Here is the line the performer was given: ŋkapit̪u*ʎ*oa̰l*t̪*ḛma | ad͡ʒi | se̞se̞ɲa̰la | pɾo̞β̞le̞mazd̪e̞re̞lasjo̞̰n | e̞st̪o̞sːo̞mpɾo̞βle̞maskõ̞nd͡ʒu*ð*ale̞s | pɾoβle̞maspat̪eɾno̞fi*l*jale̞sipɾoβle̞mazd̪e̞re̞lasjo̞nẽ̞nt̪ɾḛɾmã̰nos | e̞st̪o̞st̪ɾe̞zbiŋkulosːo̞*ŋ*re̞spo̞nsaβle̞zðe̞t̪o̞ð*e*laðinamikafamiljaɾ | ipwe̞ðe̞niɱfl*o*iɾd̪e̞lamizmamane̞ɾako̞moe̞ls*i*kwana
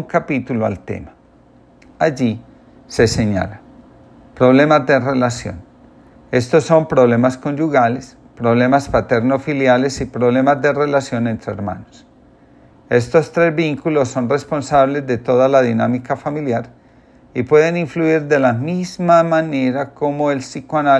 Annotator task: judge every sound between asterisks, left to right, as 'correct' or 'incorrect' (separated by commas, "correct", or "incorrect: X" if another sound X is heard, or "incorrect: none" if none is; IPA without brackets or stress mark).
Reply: incorrect: l, correct, incorrect: ɣ, correct, incorrect: n, incorrect: a, incorrect: u, correct